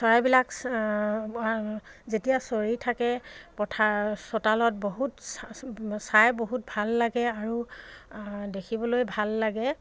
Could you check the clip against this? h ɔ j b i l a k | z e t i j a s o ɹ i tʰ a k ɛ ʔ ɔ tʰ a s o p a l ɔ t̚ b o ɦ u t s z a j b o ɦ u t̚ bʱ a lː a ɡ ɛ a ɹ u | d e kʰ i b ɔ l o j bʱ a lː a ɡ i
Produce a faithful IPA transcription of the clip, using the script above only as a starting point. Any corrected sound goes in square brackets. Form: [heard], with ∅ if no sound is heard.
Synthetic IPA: [s] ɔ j b i l a k | z e t i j a s o ɹ i tʰ a k ɛ [p] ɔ tʰ a s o [t] a l ɔ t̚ b o ɦ u t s [s] a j b o ɦ u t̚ bʱ a lː a ɡ ɛ a ɹ u | d e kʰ i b ɔ l o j bʱ a lː a ɡ [ɛ]